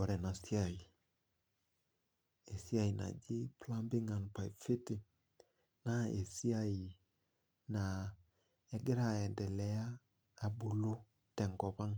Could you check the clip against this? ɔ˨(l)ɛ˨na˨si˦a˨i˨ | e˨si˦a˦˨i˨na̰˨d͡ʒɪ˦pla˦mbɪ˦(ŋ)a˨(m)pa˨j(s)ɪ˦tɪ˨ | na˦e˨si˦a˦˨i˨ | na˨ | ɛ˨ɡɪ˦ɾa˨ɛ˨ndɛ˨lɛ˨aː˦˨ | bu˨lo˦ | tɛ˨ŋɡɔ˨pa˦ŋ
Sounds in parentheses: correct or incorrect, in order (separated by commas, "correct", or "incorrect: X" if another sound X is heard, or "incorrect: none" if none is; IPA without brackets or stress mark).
incorrect: ɾ, correct, incorrect: n, incorrect: f